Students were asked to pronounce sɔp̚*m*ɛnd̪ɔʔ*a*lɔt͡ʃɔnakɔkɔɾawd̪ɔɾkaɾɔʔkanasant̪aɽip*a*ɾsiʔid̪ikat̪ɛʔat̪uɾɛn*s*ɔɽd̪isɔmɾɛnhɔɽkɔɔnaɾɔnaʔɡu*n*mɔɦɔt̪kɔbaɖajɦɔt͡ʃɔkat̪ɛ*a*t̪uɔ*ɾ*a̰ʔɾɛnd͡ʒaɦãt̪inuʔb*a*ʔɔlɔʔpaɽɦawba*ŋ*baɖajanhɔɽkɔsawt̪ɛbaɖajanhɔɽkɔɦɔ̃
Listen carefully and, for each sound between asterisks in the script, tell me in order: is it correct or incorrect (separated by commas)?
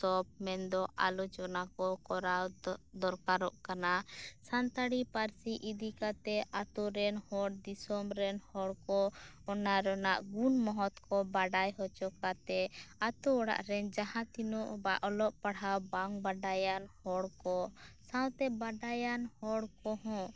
correct, correct, correct, incorrect, correct, correct, incorrect, correct, correct